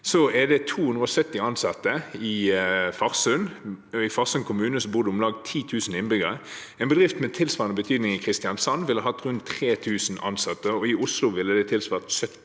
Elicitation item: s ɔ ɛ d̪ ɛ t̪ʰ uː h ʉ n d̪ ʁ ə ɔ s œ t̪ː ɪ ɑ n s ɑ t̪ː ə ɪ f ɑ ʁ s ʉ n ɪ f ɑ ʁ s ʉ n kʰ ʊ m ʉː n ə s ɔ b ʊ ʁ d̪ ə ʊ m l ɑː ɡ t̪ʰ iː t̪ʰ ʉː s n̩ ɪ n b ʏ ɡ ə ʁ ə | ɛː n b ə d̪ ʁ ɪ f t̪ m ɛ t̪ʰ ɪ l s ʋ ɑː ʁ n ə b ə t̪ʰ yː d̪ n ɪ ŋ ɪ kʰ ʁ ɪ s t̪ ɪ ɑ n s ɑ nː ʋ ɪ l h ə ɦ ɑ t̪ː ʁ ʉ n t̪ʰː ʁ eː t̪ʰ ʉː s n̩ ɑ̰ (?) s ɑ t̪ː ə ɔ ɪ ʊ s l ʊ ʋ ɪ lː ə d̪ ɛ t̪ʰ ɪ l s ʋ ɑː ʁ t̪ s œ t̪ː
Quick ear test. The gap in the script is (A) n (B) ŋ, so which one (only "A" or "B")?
A